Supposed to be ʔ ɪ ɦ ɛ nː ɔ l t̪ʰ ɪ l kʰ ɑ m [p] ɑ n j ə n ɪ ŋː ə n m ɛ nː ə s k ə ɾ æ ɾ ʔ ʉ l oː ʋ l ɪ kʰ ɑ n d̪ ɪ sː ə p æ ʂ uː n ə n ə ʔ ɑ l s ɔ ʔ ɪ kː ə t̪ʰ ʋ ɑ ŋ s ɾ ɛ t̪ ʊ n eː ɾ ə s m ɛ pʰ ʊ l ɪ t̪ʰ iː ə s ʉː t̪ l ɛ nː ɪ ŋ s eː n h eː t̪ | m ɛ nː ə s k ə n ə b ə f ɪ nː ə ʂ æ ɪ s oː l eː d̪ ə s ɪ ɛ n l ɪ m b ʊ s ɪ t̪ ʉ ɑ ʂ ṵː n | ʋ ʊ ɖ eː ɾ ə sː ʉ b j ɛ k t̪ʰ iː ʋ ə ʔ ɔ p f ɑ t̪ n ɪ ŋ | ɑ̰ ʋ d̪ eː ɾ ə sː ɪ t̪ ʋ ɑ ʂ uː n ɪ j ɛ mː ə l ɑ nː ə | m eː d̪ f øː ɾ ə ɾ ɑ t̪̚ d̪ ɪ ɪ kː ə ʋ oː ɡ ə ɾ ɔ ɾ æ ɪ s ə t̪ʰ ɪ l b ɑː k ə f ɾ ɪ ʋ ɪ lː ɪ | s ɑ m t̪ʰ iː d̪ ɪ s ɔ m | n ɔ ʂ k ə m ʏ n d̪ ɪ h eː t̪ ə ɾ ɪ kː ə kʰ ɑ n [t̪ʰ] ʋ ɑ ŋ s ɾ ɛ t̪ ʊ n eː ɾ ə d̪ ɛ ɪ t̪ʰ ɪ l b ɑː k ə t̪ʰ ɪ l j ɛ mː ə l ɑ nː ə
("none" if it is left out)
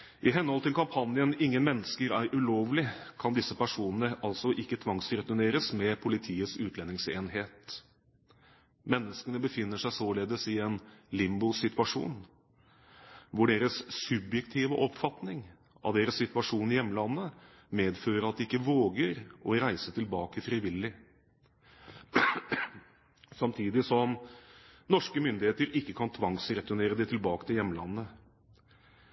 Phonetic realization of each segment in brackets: pʰ, t̪ʰ

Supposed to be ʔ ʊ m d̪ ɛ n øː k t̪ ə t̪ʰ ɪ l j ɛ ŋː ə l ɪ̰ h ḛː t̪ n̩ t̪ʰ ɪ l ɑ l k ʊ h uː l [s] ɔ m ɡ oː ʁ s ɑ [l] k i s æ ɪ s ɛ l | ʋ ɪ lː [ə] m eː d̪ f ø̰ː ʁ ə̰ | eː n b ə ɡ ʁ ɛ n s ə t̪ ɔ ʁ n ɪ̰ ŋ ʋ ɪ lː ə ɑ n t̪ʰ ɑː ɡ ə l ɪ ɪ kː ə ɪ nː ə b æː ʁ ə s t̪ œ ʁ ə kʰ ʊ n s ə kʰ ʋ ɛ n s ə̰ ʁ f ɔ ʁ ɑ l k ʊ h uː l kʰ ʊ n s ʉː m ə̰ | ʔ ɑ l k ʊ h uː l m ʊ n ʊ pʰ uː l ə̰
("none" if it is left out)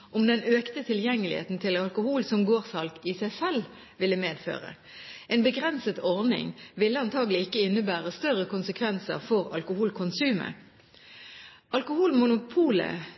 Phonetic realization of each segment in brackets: s, l, ə

